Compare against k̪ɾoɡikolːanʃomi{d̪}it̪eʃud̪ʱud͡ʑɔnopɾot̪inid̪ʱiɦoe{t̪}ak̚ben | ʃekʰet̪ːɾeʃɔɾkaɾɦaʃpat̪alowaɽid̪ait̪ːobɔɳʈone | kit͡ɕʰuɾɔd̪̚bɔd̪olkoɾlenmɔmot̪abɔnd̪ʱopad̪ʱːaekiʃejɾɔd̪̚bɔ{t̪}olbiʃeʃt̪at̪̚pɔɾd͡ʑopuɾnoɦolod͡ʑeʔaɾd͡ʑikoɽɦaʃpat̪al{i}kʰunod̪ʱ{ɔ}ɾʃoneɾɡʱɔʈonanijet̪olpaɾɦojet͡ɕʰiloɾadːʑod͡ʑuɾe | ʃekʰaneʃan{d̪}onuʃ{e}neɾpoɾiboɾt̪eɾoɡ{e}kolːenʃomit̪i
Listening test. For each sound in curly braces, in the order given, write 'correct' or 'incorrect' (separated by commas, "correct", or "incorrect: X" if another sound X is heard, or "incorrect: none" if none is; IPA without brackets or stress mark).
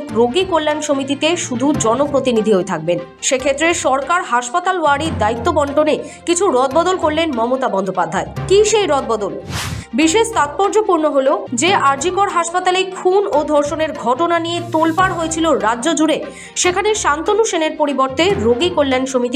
incorrect: t̪, incorrect: t̪ʰ, incorrect: d̪, incorrect: e, correct, incorrect: t̪, correct, incorrect: i